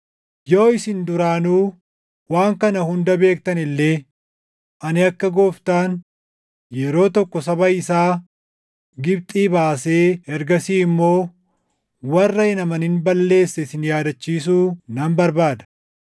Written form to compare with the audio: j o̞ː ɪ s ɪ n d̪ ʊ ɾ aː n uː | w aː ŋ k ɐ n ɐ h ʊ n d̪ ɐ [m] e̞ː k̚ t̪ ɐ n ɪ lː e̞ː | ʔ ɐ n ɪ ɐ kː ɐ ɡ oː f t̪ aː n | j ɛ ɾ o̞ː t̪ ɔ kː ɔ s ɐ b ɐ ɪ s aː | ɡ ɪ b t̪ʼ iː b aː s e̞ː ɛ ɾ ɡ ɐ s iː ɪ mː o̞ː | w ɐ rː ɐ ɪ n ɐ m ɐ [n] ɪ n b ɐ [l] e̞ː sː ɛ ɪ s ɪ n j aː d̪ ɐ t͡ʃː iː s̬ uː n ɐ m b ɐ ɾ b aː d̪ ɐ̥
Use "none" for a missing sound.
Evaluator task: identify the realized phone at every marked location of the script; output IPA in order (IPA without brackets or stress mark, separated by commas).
b, n, lː